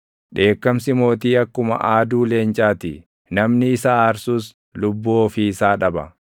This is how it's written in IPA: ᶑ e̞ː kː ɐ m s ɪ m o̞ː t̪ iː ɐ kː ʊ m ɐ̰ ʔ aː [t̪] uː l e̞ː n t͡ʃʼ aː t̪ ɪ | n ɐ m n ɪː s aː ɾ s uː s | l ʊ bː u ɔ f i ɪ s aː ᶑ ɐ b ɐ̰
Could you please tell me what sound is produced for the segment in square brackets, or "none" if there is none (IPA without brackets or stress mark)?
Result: d̪